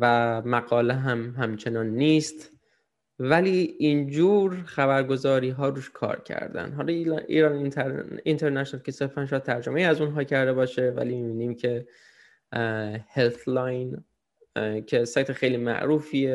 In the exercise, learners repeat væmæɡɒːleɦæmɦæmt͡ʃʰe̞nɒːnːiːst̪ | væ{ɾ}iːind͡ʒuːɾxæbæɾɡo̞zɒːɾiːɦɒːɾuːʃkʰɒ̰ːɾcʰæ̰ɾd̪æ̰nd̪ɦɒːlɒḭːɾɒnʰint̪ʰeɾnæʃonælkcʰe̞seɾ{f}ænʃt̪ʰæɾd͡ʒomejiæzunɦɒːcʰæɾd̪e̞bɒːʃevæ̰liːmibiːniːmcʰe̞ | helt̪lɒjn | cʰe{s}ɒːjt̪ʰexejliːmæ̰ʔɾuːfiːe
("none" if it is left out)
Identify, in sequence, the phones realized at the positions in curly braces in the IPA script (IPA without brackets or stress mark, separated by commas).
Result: l, f, s